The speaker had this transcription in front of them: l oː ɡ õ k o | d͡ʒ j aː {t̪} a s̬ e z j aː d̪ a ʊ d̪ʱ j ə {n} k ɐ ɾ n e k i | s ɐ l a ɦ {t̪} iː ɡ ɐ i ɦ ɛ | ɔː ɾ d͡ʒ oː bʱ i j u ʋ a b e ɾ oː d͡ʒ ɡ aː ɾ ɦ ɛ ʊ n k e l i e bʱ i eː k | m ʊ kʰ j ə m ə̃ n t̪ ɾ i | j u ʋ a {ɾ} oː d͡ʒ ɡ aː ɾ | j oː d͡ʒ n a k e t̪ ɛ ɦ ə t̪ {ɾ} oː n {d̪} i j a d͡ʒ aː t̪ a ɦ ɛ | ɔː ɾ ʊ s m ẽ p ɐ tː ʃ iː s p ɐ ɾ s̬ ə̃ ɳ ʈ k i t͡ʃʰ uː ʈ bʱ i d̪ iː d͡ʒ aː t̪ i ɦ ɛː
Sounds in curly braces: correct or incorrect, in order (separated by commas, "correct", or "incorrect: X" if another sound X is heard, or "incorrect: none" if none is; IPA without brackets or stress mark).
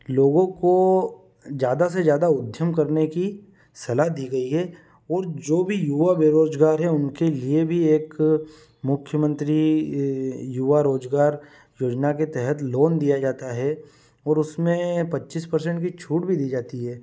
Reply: incorrect: d̪, incorrect: m, incorrect: d̪, correct, incorrect: l, correct